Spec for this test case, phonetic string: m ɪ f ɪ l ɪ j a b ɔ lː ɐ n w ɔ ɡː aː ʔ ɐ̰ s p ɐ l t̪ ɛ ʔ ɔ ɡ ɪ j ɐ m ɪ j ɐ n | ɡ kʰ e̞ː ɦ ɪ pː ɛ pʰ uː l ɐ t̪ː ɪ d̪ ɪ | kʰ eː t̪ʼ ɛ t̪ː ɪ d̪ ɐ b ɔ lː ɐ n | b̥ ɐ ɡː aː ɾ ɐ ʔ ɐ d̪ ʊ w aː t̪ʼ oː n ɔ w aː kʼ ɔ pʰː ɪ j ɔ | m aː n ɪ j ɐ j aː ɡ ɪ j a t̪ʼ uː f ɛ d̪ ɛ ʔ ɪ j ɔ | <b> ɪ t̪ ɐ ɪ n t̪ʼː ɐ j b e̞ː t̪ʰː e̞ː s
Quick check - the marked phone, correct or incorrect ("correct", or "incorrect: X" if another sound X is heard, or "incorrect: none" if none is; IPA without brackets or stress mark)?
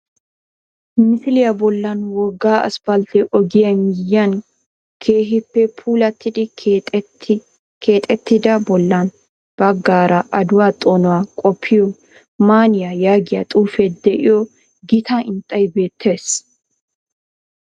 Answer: incorrect: ɡ